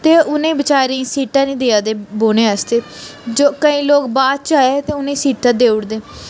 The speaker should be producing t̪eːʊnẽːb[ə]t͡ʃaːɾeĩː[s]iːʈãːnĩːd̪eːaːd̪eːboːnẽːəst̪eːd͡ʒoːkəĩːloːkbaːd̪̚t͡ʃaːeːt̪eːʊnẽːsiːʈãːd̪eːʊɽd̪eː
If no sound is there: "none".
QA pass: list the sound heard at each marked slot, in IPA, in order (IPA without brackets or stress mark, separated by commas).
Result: ə, s